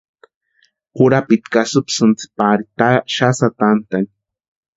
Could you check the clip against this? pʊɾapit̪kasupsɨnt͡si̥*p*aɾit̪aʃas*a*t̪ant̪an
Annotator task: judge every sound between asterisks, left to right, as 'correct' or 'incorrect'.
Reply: correct, correct

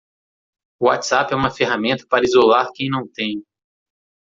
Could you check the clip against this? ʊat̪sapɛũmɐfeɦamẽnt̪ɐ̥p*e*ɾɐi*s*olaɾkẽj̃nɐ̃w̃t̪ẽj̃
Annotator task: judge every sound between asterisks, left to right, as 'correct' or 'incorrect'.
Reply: incorrect: a, incorrect: z

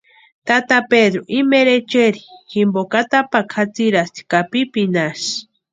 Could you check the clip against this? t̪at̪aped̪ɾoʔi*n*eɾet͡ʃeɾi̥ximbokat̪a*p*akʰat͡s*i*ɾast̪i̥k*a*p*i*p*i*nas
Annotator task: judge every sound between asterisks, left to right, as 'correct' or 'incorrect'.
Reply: incorrect: m, correct, correct, correct, correct, correct

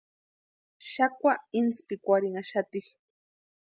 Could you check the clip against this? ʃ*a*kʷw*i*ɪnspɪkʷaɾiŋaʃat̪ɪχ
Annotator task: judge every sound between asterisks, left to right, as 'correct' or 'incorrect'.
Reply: correct, incorrect: a

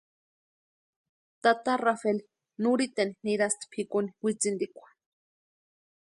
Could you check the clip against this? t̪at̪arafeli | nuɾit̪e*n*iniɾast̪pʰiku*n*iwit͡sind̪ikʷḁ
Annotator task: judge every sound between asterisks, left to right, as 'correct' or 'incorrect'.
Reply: correct, correct

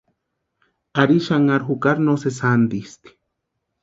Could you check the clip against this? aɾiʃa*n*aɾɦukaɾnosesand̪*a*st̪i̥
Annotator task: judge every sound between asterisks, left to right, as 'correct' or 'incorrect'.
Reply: incorrect: ŋ, incorrect: i

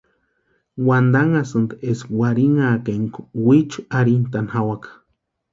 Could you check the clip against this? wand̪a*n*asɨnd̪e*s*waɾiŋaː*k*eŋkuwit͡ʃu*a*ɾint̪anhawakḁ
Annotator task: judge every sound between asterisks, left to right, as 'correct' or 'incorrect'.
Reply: incorrect: ŋ, correct, correct, correct

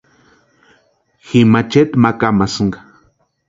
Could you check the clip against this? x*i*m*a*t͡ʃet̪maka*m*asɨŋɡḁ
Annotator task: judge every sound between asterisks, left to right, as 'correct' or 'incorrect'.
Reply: correct, correct, correct

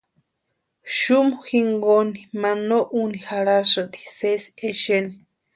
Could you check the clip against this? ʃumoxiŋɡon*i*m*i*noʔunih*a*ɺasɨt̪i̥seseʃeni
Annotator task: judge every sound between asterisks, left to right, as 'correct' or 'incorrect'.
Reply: correct, incorrect: a, correct

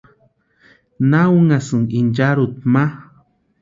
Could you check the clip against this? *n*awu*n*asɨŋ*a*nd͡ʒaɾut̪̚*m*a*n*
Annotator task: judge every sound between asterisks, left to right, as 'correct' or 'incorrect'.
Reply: correct, incorrect: ŋ, incorrect: i, correct, incorrect: none

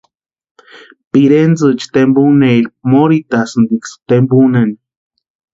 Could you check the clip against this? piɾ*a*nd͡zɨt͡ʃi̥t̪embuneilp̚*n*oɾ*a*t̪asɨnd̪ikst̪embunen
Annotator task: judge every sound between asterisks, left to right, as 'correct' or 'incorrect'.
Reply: incorrect: e, incorrect: m, incorrect: i

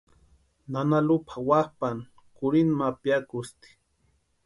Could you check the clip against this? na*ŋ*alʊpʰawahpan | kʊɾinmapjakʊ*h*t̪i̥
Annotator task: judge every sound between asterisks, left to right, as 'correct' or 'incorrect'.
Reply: incorrect: n, incorrect: s

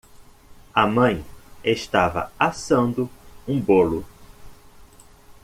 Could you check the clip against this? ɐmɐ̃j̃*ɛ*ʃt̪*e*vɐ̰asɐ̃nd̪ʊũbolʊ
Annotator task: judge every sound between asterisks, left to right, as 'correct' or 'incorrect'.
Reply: incorrect: e, incorrect: a

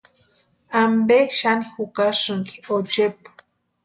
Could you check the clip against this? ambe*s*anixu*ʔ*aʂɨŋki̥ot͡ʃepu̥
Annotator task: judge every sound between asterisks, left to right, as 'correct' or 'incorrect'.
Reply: incorrect: ʃ, incorrect: k

